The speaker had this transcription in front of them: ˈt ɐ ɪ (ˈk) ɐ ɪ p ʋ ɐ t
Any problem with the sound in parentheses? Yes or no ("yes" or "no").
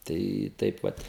yes